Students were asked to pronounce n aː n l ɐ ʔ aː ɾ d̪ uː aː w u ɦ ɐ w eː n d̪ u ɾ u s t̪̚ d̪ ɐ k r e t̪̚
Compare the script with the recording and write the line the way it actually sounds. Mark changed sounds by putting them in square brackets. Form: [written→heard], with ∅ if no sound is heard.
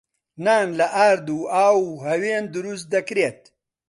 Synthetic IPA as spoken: n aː n l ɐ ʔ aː ɾ d̪ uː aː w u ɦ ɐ w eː n d̪ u ɾ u s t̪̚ d̪ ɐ k [r→ɾ] e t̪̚